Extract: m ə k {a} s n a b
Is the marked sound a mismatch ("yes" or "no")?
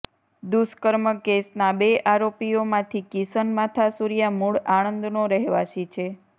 yes